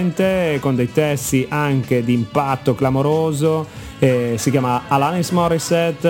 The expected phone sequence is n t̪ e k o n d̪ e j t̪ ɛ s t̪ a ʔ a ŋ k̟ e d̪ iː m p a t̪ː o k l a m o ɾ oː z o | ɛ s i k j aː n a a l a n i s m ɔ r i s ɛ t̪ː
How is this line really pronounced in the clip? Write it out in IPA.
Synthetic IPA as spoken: n t̪ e k o n d̪ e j t̪ ɛ s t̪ i ʔ a ŋ k̟ e d̪ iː m p a t̪ː o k l a m o ɾ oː z o | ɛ s i k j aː m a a l a n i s m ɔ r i s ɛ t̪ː